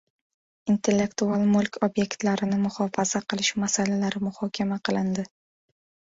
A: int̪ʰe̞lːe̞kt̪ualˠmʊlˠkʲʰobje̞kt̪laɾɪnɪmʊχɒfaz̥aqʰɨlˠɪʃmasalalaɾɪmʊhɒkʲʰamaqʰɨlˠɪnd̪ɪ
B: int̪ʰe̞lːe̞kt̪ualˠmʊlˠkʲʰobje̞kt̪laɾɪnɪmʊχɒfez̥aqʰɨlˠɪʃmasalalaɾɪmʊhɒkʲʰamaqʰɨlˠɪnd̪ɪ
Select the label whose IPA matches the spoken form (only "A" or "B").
A